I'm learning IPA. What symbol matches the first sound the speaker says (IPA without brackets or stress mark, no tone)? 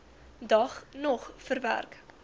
d